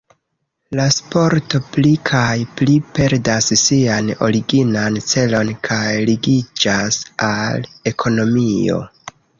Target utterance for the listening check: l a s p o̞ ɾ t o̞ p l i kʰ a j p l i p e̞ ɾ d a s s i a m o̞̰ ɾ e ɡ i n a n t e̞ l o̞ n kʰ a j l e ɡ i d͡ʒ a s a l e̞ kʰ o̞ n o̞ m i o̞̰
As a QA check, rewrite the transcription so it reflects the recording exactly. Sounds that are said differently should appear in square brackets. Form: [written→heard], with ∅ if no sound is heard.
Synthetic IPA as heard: l a s p o̞ ɾ t o̞ p l i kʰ a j p l i p e̞ ɾ d a s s i a [m→n] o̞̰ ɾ [e→i] ɡ i n a n [t→t͡s] e̞ l o̞ n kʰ a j l [e→i] ɡ i d͡ʒ a s a l e̞ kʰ o̞ n o̞ m i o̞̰